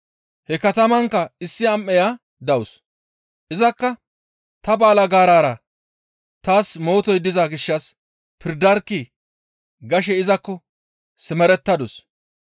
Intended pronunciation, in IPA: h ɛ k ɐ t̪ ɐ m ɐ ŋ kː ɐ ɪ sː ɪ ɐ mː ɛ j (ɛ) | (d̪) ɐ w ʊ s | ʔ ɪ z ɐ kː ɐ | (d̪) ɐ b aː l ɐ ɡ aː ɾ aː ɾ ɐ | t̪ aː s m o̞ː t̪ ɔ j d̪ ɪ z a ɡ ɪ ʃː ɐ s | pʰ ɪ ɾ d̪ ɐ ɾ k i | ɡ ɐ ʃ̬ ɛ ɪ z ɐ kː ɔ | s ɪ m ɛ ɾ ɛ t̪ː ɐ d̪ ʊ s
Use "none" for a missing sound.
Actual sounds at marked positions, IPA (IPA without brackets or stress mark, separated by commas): a, d̪, t̪